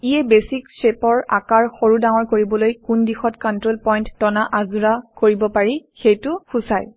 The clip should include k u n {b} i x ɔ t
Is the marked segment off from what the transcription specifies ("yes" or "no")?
yes